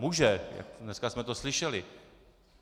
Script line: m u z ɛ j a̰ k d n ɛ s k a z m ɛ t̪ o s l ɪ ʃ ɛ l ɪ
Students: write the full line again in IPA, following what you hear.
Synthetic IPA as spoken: m u ʒ ɛ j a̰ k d n ɛ s k a s m ɛ t̪ o s l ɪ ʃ ɛ l ɪ